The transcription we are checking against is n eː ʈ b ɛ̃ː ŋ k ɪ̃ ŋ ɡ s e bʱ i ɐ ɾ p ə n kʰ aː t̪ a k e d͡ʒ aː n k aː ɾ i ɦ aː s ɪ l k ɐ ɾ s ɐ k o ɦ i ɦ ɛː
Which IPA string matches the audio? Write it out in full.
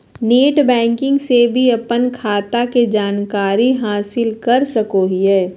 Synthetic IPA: n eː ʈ b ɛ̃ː ŋ k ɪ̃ ŋ ɡ s e bʱ i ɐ p ə n kʰ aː t̪ a k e d͡ʒ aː n k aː ɾ i ɦ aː s ɪ l k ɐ ɾ s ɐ k o ɦ i ɦ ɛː

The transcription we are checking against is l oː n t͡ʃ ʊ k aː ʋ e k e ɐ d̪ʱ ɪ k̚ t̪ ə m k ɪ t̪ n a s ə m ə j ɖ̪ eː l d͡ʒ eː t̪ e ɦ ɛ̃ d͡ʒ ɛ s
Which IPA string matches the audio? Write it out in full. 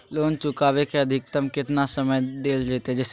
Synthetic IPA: l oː n t͡ʃ ʊ k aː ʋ e k e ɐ d̪ʱ ɪ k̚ t̪ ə m k ɪ t̪ n a s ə m ə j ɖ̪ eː l d͡ʒ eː t̪ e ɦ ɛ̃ d͡ʒ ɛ s

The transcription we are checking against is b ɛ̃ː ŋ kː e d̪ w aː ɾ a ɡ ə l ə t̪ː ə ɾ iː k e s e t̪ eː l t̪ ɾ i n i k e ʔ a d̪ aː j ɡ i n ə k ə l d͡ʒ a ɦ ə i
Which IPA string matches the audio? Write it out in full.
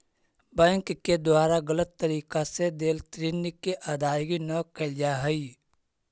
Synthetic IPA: b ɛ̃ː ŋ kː e d̪ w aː ɾ a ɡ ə l ə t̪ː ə ɾ iː k a s e d̪ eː l t̪ ɾ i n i k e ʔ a d̪ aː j ɡ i n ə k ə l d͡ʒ a ɦ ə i

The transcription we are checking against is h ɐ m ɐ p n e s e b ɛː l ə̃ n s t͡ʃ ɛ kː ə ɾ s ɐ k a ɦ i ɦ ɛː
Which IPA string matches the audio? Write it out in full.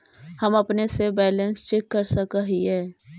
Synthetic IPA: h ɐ m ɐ p n e s e b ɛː l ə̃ n s t͡ʃ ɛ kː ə ɾ s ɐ k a ɦ i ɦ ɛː

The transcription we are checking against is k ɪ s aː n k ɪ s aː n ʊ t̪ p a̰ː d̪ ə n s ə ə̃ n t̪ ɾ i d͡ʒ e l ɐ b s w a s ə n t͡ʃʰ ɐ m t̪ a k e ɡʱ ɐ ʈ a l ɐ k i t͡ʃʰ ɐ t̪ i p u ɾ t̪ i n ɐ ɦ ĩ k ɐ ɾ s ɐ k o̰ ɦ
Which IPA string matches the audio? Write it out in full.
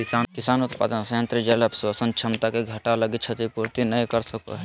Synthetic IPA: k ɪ s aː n k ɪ s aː n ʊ t̪ p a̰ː d̪ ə n s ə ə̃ n t̪ ɾ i d͡ʒ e l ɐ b s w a s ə n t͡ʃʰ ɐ m t̪ a k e ɡʱ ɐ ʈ a l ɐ ɡ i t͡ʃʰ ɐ t̪ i p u ɾ t̪ i n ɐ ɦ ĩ k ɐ ɾ s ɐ k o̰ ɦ

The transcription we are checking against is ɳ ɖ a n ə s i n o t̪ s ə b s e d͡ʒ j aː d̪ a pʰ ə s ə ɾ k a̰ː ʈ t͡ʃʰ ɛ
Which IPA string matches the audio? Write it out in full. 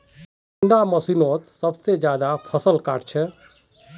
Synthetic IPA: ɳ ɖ a m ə s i n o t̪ s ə b s e d͡ʒ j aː d̪ a pʰ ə s ə l k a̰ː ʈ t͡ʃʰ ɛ

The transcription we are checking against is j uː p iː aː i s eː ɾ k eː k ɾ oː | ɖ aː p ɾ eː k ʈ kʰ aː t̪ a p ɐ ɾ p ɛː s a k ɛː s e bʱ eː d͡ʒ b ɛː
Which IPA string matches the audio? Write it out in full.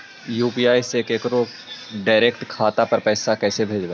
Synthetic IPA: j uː p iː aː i s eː k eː k ɾ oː | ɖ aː ɾ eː k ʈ kʰ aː t̪ a p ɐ ɾ p ɛː s a k ɛː s e bʱ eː d͡ʒ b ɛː

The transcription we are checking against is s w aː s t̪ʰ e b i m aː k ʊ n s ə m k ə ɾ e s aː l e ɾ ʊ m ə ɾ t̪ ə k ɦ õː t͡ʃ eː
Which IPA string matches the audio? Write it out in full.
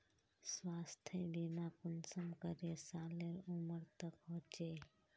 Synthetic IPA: s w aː s t̪ʰ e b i n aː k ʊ n s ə m k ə ɾ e s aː l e ɾ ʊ m ə ɾ t̪ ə k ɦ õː t͡ʃ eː

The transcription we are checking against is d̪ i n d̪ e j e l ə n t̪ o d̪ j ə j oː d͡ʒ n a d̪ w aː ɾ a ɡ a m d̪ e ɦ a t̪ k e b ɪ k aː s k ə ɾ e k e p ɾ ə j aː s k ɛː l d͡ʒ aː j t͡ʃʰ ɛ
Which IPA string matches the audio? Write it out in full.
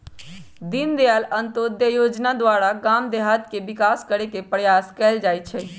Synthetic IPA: d̪ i n d̪ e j a l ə n t̪ o d̪ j ə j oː d͡ʒ n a d̪ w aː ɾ a ɡ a m d̪ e ɦ a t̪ k e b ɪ k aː s k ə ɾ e k e p ɾ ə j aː s k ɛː l d͡ʒ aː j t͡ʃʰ ɛ

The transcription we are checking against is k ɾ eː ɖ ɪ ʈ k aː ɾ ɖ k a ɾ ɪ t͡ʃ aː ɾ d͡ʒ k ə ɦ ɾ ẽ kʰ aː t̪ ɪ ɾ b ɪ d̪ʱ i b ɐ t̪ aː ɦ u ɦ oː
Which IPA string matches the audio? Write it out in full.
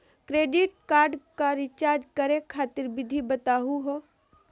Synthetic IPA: k ɾ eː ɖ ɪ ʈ k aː ɾ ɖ k a ɾ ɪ t͡ʃ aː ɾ d͡ʒ k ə ɾ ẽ kʰ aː t̪ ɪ ɾ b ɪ d̪ʱ i b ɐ t̪ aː ɦ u ɦ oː

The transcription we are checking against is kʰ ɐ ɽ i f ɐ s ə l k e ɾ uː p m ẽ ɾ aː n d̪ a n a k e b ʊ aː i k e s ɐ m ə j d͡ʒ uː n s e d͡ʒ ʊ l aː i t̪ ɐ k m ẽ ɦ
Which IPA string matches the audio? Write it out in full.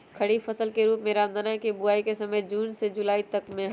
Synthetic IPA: kʰ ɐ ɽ i f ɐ s ə l k e ɾ uː p m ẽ ɾ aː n d̪ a n a k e b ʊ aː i k e s ɐ m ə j d͡ʒ uː n s e d͡ʒ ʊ l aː i t̪ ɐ k m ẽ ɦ

